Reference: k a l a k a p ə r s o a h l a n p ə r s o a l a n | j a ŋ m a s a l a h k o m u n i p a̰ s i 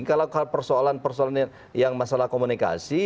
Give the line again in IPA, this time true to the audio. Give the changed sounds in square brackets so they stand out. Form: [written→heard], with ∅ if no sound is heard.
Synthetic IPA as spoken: k a l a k a p ə r s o a [h→∅] l a n p ə r s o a l a n | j a ŋ m a s a l a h k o m u n i [p→k] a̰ s i